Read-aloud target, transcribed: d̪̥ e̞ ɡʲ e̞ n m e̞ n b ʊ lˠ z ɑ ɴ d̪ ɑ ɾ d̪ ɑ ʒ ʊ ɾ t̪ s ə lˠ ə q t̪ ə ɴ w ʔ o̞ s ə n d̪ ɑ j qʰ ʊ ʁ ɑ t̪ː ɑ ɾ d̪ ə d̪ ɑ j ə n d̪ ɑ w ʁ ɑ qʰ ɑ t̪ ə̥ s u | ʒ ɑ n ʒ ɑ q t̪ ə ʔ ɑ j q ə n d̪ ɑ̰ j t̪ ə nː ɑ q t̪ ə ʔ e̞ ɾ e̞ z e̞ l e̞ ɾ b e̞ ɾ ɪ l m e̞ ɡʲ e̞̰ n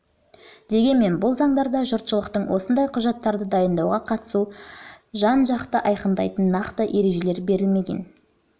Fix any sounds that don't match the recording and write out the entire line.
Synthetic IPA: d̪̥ e̞ ɡʲ e̞ n m e̞ n b ʊ lˠ z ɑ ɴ d̪ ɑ ɾ d̪ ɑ ʒ ʊ ɾ t̪ ʃ ə lˠ ə q t̪ ə ɴ w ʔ o̞ s ə n d̪ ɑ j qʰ ʊ ʒ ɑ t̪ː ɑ ɾ d̪ ə d̪ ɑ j ə n d̪ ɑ w ʁ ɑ qʰ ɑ t̪ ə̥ s u | ʒ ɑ n ʒ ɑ q t̪ ə ʔ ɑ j q ə n d̪ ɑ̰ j t̪ ə nː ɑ q t̪ ə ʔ e̞ ɾ e̞ ʒ e̞ l e̞ ɾ b e̞ ɾ ɪ l m e̞ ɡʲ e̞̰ n